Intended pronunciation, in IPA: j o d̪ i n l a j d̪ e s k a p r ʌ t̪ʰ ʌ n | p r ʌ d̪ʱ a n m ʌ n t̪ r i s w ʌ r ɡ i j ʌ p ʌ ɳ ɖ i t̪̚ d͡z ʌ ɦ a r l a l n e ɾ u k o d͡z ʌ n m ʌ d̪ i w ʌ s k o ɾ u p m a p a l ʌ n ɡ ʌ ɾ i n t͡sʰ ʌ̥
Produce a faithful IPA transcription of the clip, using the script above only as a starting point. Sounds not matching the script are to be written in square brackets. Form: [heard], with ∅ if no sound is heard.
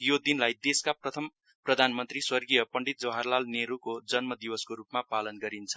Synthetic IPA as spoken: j o d̪ i n l a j d̪ e s k a p r ʌ t̪ʰ ʌ [m] | p r ʌ d̪ʱ a n m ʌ n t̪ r i s w ʌ r ɡ i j ʌ p ʌ ɳ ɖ i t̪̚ d͡z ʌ ɦ a r l a l n e ɾ u k o d͡z ʌ n m ʌ d̪ i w ʌ s k o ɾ u p m a p a l ʌ n ɡ ʌ ɾ i n t͡sʰ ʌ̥